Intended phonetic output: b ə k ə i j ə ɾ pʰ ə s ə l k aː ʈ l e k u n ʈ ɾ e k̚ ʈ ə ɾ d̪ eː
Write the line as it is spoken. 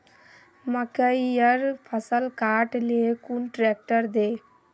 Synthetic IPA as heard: m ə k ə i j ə ɾ pʰ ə s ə l k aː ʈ l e k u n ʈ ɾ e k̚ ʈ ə ɾ d̪ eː